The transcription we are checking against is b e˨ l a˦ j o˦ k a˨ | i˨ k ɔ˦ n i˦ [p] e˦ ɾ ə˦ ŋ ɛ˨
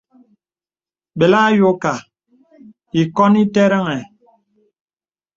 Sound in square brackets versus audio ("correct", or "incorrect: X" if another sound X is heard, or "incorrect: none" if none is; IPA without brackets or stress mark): incorrect: t